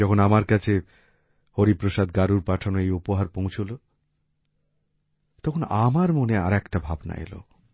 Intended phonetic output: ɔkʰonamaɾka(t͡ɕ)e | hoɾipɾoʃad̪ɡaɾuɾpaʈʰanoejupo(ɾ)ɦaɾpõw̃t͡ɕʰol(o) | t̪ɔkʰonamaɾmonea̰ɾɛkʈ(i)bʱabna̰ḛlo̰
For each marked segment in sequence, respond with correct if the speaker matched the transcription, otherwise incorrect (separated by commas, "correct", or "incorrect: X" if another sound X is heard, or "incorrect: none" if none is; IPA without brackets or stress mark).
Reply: incorrect: t͡ɕʰ, incorrect: none, correct, incorrect: a